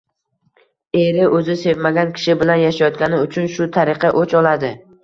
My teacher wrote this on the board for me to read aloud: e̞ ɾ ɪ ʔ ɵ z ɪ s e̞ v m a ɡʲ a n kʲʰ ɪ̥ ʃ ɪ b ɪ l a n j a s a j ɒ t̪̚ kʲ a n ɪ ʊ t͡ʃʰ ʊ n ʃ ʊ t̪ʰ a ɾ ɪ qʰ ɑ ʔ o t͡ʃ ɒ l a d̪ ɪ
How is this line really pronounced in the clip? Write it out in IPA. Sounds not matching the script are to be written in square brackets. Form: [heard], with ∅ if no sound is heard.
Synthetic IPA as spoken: e̞ ɾ ɪ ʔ ɵ z ɪ s e̞ v m a ɡʲ a n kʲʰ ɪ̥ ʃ ɪ b ɪ l a n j a [ʃ] a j ɒ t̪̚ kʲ a n ɪ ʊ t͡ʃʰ ʊ n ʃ ʊ t̪ʰ a ɾ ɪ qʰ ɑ ʔ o t͡ʃ ɒ l a d̪ ɪ